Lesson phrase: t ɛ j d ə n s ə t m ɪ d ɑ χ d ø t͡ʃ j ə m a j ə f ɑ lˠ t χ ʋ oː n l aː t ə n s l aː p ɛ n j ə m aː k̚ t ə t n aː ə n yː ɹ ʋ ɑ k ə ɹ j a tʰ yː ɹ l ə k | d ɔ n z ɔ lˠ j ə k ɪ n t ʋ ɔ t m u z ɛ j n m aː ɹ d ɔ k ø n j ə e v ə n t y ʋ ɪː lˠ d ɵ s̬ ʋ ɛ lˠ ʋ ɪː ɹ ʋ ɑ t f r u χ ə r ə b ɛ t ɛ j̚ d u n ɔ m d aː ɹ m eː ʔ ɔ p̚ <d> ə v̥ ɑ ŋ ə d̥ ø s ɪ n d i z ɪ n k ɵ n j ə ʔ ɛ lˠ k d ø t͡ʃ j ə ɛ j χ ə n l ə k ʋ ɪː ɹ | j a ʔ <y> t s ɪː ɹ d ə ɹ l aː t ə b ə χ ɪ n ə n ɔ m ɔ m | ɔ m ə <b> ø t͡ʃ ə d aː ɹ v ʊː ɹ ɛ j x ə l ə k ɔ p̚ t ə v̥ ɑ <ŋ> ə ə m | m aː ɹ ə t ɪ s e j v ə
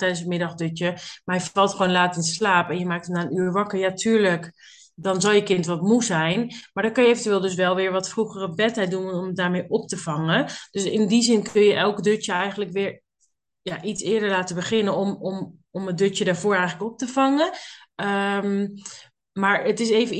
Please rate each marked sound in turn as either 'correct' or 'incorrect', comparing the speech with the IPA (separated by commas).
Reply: incorrect, incorrect, incorrect, correct